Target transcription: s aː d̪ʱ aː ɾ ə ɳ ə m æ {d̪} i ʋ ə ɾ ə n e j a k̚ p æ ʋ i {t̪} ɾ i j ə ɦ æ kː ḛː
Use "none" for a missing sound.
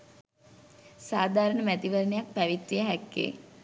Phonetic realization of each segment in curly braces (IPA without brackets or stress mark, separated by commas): t̪, t̪